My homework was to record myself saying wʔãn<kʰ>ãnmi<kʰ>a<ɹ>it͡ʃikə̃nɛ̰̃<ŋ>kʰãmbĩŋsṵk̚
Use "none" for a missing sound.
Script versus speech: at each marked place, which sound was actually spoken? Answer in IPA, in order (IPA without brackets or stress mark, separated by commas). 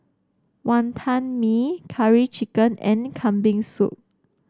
tʰ, kʰ, ɹ, n